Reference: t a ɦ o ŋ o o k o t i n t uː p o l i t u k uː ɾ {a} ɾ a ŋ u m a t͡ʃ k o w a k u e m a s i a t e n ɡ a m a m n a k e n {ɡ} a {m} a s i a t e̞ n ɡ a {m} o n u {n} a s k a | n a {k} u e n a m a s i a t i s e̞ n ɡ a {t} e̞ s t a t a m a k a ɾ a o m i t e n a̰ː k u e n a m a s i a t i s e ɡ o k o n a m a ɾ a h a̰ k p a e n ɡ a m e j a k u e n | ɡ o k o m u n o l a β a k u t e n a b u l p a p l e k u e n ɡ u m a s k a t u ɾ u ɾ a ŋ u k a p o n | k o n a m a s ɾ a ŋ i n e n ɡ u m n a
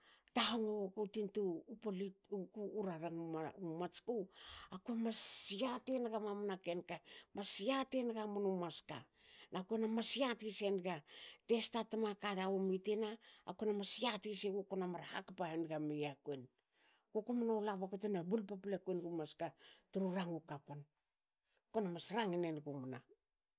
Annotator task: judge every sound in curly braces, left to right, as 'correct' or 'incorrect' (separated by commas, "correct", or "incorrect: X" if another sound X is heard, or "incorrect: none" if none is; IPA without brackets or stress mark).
correct, incorrect: k, correct, correct, incorrect: m, correct, correct